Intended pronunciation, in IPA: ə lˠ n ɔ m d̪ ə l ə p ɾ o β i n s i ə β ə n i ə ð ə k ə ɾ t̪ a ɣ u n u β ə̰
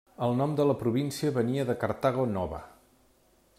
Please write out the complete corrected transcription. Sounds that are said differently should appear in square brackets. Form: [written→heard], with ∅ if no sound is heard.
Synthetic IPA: ə lˠ n ɔ m d̪ ə l ə p ɾ [o→u] β i n s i ə β ə n i ə ð ə k ə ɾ t̪ a ɣ [u→o] n [u→ɔ] β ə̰